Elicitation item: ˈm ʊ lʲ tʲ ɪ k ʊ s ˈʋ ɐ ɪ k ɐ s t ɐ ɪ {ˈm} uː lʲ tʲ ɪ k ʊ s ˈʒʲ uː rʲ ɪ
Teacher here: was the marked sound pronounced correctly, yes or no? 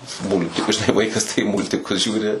yes